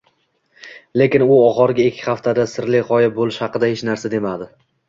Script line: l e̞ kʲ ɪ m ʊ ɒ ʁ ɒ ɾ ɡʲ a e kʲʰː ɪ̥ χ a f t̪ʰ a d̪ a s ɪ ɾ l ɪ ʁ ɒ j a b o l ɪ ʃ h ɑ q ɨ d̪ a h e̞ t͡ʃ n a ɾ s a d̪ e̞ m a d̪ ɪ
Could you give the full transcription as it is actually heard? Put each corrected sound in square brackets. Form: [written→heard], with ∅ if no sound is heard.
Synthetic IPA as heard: l e̞ kʲ ɪ [m→n] ʊ ɒ ʁ ɒ ɾ ɡʲ a e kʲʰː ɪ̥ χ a f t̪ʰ a d̪ a s ɪ ɾ l ɪ ʁ ɒ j a b o l ɪ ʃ h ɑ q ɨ d̪ a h e̞ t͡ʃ n a ɾ s a d̪ e̞ m a d̪ ɪ

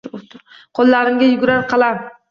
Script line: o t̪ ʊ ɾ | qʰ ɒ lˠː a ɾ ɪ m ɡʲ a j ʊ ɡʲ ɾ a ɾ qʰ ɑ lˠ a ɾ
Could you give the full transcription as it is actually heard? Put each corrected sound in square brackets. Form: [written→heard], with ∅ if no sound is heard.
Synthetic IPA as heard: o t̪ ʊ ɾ | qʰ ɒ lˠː a ɾ ɪ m ɡʲ a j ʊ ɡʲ ɾ a ɾ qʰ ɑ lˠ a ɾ

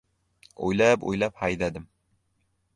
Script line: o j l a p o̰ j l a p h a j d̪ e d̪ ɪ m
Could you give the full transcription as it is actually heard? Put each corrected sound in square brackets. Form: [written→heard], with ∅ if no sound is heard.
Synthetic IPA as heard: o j l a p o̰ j l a p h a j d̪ [e→a] d̪ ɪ m

